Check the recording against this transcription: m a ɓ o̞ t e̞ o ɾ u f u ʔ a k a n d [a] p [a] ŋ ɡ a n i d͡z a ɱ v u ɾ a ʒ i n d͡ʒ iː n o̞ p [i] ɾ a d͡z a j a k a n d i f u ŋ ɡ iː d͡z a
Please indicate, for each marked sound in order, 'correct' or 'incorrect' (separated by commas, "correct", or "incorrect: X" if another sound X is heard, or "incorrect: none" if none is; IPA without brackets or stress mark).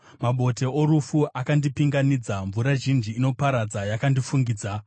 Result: incorrect: i, incorrect: i, incorrect: a